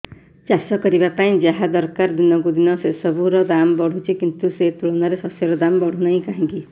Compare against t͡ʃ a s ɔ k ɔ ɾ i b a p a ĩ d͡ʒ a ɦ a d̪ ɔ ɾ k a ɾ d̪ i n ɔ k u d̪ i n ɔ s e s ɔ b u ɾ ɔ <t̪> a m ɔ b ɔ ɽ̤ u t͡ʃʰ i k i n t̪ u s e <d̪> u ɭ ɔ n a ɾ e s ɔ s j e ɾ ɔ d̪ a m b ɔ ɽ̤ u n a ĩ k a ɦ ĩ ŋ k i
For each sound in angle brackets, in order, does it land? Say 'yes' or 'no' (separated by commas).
no, no